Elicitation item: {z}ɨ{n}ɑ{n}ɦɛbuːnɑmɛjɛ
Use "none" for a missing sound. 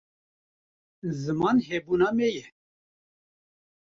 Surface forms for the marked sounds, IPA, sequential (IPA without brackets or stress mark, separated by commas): z, m, n